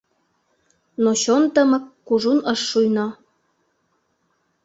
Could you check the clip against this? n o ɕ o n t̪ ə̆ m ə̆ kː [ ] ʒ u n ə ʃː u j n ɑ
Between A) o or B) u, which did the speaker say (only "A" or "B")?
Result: B